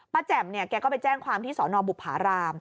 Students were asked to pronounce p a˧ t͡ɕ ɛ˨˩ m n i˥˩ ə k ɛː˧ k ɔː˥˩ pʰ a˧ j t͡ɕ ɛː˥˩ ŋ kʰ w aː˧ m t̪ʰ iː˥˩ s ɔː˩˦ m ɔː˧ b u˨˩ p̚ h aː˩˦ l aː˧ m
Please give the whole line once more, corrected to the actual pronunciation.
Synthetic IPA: p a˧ t͡ɕ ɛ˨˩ m n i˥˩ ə k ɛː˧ k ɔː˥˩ p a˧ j t͡ɕ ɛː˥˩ ŋ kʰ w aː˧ m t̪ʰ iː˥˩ s ɔː˩˦ n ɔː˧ b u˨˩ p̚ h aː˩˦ ɾ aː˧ m